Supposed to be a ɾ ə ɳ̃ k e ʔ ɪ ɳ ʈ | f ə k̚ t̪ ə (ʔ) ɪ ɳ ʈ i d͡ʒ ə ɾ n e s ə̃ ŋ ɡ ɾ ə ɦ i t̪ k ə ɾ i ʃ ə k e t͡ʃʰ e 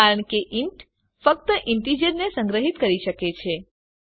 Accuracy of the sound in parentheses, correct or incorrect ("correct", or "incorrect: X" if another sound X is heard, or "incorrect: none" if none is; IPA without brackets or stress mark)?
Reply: correct